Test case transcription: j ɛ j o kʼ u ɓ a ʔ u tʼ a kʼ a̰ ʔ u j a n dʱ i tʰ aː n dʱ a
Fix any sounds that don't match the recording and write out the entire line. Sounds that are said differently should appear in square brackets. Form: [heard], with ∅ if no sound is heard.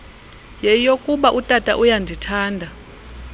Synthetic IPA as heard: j ɛ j o kʼ u ɓ a ʔ u tʼ a [tʼ] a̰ ʔ u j a n dʱ i tʰ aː n dʱ a